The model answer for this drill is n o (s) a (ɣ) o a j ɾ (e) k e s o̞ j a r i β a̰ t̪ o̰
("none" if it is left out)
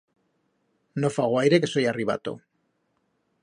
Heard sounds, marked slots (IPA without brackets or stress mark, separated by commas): f, ɣ, e